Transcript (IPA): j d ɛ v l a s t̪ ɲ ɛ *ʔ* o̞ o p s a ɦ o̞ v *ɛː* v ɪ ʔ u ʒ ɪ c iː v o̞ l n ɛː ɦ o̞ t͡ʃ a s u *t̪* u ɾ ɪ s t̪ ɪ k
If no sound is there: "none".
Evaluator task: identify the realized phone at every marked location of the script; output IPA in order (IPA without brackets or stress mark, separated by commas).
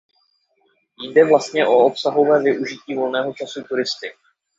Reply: ʔ, ɛː, t̪